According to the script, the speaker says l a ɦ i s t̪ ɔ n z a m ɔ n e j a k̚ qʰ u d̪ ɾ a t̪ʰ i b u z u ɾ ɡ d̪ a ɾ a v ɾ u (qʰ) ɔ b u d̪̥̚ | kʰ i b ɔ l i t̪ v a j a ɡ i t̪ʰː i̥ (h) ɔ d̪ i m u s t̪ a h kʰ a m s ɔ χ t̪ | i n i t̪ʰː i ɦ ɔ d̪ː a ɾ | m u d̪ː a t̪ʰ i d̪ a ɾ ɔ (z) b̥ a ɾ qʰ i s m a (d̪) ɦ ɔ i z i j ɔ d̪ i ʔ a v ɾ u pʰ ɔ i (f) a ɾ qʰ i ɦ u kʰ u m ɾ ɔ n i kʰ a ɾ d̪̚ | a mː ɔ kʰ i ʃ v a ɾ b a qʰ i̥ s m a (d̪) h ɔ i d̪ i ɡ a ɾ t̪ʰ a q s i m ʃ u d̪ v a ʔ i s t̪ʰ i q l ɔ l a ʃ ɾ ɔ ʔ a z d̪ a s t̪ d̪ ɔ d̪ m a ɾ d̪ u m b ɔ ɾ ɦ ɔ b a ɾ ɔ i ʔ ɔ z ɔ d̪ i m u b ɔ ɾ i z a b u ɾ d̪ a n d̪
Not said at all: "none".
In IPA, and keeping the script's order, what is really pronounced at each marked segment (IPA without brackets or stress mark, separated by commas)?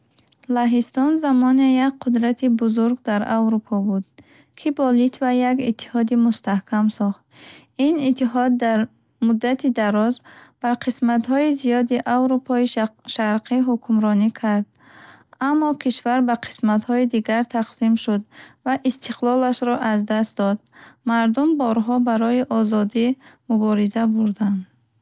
pʰ, h, z, t̪, ʃ, t̪